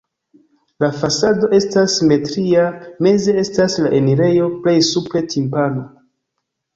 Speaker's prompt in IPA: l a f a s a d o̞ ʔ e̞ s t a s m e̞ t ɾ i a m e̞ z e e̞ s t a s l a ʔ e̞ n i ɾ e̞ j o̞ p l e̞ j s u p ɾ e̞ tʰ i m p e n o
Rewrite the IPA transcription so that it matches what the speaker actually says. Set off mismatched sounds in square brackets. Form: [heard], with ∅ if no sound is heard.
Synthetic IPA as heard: l a f a s a d o̞ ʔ e̞ s t a s m e̞ t ɾ i a m e̞ z e e̞ s t a s l a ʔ e̞ n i ɾ e̞ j o̞ p l e̞ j s u p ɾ e̞ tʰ i m p [a] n o